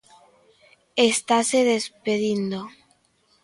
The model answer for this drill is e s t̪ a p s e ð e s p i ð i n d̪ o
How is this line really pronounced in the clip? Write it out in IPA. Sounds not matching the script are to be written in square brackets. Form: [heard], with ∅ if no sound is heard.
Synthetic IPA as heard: e s t̪ a [∅] s e ð e s p [e] ð i n d̪ o